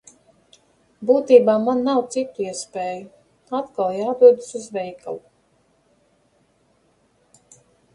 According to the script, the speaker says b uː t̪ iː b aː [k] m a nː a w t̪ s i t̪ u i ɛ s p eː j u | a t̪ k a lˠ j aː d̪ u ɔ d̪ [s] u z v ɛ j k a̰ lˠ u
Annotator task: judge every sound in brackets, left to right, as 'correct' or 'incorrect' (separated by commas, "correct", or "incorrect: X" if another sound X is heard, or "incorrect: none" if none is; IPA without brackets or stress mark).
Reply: incorrect: none, correct